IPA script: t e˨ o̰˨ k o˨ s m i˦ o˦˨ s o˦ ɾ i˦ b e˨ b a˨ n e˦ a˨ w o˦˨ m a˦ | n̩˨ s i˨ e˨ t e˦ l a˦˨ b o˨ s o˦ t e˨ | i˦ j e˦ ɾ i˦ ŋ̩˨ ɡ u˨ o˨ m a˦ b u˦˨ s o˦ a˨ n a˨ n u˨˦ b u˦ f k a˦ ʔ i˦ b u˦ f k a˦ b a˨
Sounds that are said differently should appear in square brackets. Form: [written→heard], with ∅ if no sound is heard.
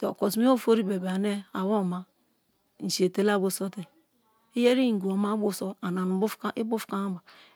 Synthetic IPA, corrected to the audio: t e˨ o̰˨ k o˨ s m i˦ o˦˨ [s→f] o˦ ɾ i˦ b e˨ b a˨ n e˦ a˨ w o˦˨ m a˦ | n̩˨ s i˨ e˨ t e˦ l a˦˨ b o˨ s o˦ t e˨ | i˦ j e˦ ɾ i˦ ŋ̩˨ ɡ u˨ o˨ m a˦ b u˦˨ s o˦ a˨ n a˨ n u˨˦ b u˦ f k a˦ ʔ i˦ b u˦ f k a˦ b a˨